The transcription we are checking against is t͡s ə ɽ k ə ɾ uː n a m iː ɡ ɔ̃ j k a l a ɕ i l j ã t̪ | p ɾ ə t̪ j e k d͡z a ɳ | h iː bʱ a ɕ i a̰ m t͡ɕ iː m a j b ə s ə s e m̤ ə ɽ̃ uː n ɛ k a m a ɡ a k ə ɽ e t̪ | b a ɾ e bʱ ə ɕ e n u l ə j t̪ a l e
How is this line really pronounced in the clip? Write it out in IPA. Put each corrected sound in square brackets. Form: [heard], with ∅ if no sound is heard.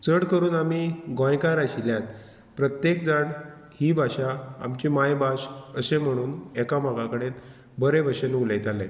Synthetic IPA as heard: t͡s ə ɽ k ə ɾ uː n a m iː ɡ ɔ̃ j k a [ɾ] a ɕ i l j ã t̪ | p ɾ ə t̪ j e k d͡z a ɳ | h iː bʱ a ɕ [a] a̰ m t͡ɕ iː m a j b [a] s ə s e m̤ ə ɽ̃ uː n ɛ k a m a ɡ a k ə ɽ e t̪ | b [ə] ɾ e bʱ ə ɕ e n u l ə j t̪ a l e

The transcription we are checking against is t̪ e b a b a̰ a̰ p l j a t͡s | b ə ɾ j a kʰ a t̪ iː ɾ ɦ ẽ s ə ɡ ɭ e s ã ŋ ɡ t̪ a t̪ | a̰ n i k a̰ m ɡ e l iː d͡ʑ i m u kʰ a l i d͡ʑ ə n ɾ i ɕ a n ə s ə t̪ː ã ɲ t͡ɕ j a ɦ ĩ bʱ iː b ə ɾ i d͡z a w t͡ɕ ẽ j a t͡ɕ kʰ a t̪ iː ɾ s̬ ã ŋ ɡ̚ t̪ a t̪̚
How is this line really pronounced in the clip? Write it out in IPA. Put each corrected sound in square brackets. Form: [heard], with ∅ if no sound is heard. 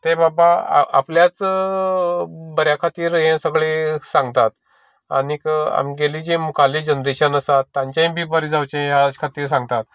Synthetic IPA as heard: t̪ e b a b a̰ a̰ p l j a t͡s | b ə ɾ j a kʰ a t̪ iː ɾ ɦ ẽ s ə ɡ ɭ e s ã ŋ ɡ t̪ a t̪ | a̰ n i k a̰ m ɡ e l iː d͡ʑ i m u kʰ a l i d͡ʑ ə n ɾ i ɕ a n ə s [a] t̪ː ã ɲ t͡ɕ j a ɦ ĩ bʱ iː b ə ɾ i d͡z a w t͡ɕ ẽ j a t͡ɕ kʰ a t̪ iː ɾ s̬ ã ŋ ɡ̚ t̪ a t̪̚

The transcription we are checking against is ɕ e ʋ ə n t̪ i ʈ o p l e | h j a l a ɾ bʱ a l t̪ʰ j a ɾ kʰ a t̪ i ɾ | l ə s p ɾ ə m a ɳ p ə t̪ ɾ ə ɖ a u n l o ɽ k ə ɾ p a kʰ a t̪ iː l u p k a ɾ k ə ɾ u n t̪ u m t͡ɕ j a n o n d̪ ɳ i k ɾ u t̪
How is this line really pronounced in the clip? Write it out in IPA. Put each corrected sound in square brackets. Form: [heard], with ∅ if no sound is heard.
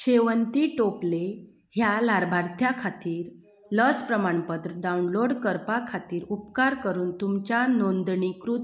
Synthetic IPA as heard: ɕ e ʋ ə n t̪ i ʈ o p l e | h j a l a ɾ bʱ a [ɾ] t̪ʰ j a [∅] kʰ a t̪ [iː] ɾ | l ə s p ɾ ə m a ɳ p ə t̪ ɾ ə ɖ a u n l o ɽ k ə ɾ p a kʰ a t̪ iː [ɾ] u p k a ɾ k ə ɾ [uː] n t̪ u m t͡ɕ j a n o n d̪ ɳ i k ɾ u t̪

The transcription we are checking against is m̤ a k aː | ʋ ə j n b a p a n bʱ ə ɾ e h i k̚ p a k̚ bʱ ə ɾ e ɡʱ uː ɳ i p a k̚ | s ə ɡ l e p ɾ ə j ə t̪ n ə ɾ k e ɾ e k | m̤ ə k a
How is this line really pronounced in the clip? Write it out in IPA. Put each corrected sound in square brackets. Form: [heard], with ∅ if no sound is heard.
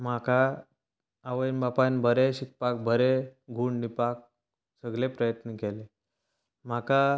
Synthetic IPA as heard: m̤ a k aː | ʋ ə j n b a p a n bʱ ə ɾ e [ɕ] i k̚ p a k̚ bʱ ə ɾ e ɡʱ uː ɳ i p a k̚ | s ə ɡ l e p ɾ ə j ə t̪ n ə [∅] k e [l] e [∅] | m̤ [a] k a

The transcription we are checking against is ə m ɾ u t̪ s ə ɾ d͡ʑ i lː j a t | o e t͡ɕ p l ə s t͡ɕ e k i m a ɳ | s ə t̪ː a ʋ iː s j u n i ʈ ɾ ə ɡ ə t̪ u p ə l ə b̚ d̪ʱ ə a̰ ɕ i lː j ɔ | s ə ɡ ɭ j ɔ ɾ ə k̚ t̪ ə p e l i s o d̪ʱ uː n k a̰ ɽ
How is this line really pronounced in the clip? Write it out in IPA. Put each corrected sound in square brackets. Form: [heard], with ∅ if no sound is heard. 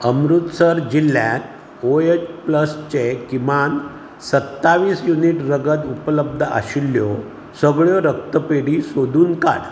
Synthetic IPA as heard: ə m ɾ u t̪ s ə ɾ d͡ʑ i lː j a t | o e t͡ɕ p l ə s t͡ɕ e k i m a [n] | s ə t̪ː a ʋ iː s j u n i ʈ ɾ ə ɡ ə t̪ u p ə l ə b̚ d̪ʱ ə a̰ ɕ i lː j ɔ | s ə ɡ ɭ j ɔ ɾ ə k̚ t̪ ə p e [ɽ] i s o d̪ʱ uː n k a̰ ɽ

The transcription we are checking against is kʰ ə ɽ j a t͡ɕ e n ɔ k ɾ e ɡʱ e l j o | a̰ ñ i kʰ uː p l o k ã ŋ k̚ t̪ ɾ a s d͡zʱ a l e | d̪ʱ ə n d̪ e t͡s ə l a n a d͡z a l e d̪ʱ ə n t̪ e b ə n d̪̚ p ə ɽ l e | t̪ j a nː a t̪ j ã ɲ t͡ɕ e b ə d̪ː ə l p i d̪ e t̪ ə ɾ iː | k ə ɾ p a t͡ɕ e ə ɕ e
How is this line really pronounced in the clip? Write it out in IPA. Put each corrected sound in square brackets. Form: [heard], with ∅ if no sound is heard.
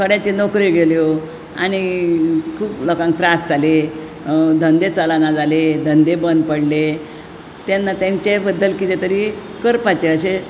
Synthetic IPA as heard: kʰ ə ɽ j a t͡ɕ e n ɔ k ɾ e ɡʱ e l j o | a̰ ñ i kʰ uː p l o k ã ŋ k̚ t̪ ɾ a s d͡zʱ a l e | d̪ʱ ə n d̪ e t͡s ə l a n a d͡z a l e d̪ʱ ə n [d̪] e b ə n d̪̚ p ə ɽ l e | t̪ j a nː a t̪ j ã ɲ t͡ɕ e b ə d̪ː ə l [k] i [t̪] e t̪ ə ɾ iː | k ə ɾ p a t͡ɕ e ə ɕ e

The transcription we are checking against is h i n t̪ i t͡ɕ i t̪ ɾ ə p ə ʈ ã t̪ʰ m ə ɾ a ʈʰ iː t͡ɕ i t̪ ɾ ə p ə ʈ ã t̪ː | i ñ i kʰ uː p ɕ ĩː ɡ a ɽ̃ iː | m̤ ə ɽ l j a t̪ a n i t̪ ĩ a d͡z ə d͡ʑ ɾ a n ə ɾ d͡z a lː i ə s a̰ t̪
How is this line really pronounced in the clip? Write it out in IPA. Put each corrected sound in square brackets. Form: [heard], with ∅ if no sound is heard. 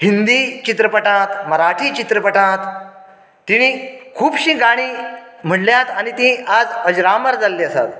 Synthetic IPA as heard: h i n [d̪] i t͡ɕ i t̪ ɾ ə p ə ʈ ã [t̪] m ə ɾ a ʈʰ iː t͡ɕ i t̪ ɾ ə p ə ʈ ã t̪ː | i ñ i kʰ uː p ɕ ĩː ɡ a ɽ̃ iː | m̤ ə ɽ l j a t̪ a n i t̪ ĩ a d͡z ə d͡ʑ ɾ a [m] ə ɾ d͡z a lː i ə s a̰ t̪

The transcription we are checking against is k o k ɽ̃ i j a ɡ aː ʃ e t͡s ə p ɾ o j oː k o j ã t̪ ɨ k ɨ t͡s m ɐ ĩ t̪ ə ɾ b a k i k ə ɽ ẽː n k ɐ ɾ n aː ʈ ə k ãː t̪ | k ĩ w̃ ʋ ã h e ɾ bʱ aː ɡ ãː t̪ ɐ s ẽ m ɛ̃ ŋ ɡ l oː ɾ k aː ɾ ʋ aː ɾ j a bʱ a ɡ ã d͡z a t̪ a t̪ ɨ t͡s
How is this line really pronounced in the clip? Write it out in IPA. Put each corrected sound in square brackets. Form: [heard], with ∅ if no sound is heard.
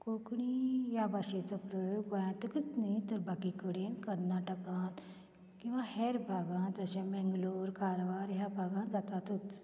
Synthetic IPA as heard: k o k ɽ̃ i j a [b] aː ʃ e t͡s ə p ɾ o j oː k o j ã t̪ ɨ k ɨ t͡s [n] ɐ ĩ t̪ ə ɾ b a k i k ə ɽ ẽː n k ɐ ɾ n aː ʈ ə k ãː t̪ | k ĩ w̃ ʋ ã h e ɾ bʱ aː ɡ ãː t̪ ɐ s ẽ m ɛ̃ ŋ ɡ l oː ɾ k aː ɾ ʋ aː ɾ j a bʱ a ɡ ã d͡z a t̪ a t̪ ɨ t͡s

